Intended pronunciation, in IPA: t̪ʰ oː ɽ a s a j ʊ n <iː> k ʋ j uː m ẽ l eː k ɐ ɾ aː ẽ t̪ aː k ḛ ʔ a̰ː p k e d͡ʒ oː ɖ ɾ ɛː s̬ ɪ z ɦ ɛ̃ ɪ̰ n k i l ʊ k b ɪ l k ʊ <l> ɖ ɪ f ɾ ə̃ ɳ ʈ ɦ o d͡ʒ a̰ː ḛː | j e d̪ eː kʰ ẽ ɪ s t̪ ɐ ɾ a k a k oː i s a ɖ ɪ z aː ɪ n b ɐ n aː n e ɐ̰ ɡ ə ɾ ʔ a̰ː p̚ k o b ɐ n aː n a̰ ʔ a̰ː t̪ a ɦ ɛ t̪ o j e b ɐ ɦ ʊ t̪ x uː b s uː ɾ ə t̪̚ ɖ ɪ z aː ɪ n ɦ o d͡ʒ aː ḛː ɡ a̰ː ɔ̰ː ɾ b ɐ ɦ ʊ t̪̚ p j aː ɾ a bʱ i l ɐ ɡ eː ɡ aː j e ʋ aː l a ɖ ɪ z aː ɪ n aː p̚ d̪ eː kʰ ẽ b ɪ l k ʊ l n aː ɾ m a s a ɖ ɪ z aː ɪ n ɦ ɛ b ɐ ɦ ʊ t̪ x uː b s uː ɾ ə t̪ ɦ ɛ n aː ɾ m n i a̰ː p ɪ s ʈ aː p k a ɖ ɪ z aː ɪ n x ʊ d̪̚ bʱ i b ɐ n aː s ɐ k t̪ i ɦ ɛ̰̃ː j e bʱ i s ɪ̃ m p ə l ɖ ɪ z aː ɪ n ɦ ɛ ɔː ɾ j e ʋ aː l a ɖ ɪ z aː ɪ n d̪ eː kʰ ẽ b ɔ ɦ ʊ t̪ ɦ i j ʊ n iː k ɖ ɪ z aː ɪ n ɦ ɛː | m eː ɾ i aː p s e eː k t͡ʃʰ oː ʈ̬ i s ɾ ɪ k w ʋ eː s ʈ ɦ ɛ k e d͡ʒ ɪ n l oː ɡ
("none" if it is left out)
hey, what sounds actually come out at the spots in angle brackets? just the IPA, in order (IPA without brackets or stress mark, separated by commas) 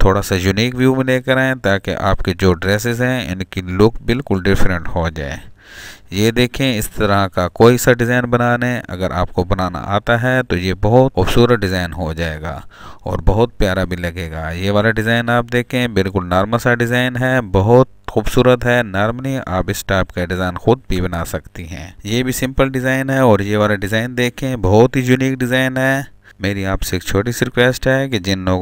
iː, l